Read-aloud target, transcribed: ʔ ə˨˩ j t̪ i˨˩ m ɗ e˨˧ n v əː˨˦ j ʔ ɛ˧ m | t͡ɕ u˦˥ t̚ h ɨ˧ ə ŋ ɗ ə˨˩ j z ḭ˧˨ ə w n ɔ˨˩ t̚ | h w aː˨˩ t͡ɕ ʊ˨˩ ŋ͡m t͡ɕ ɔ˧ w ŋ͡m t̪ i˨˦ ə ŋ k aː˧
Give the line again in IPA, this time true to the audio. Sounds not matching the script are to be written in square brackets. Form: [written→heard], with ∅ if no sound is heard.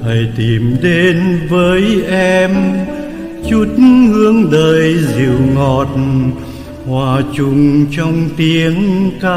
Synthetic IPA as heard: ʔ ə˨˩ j t̪ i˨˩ m ɗ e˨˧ n v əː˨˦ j ʔ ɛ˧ m | t͡ɕ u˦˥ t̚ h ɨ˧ ə ŋ ɗ [ə˨˩→əː˨˩] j z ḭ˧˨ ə w [n→ŋ] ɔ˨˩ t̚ | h w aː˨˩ t͡ɕ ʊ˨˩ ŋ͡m t͡ɕ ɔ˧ w ŋ͡m t̪ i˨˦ ə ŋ k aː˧